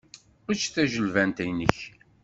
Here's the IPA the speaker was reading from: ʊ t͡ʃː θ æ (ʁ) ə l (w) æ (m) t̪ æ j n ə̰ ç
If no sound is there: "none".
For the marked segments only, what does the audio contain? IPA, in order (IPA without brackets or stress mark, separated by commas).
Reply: ʒ, v, n